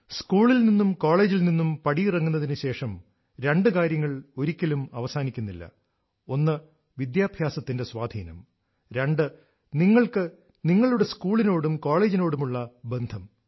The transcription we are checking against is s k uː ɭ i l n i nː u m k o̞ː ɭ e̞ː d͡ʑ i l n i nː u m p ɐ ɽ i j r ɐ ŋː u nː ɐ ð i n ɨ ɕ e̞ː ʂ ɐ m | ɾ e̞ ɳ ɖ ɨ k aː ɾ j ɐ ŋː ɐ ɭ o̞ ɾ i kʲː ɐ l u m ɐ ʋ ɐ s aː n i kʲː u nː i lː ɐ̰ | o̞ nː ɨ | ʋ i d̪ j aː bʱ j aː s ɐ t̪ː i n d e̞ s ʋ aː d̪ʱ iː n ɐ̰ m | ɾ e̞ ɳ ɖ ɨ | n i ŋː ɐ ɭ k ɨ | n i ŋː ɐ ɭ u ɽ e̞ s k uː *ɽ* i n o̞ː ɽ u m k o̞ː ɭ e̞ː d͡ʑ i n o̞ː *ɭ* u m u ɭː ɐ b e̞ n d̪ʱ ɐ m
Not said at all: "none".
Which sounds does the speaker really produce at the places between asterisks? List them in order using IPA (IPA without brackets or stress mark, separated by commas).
ɭ, ɽ